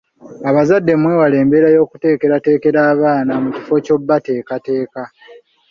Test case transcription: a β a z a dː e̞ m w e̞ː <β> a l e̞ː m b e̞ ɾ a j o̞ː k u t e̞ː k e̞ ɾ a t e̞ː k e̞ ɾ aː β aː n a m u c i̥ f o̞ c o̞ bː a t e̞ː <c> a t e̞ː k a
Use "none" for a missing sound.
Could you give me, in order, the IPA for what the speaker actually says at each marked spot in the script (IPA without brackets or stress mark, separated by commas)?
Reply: w, k